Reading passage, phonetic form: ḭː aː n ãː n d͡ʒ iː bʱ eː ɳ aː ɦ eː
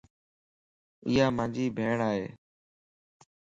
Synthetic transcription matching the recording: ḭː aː m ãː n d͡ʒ iː bʱ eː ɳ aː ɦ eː